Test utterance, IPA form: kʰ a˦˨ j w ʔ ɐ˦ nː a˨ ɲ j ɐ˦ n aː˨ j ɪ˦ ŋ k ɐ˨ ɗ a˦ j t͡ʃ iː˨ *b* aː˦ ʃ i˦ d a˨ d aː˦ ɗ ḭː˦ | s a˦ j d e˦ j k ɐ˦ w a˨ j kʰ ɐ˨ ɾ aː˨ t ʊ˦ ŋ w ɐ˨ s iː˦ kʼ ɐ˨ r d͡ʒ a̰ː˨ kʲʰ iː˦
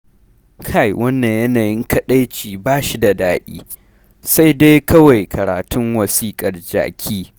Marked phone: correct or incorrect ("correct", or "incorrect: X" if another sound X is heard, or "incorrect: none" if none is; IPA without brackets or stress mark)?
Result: correct